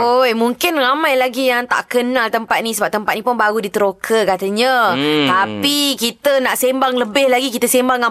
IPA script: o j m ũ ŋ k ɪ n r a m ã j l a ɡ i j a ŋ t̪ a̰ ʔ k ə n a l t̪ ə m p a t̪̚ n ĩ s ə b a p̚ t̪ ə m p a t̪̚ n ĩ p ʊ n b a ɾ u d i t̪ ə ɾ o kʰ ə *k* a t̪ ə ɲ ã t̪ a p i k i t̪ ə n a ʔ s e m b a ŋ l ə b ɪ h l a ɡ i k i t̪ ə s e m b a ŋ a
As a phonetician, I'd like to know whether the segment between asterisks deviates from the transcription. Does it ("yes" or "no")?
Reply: no